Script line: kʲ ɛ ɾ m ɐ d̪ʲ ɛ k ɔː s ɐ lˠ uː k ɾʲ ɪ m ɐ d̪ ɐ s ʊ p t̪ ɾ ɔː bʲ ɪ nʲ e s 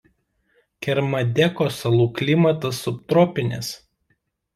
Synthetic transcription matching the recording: kʲ ɛ ɾ m ɐ d̪ʲ ɛ k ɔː s ɐ lˠ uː k lʲ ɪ m ɐ t̪ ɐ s ʊ p t̪ ɾ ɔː pʲ ɪ nʲ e s